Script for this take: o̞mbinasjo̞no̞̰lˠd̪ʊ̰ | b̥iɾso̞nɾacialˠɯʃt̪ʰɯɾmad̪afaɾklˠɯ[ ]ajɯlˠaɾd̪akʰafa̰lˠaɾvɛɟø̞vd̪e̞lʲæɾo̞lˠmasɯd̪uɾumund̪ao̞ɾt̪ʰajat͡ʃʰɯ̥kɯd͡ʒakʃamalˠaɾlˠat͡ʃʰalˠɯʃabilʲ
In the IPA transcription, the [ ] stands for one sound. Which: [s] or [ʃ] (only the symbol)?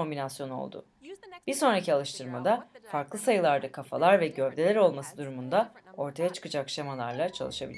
s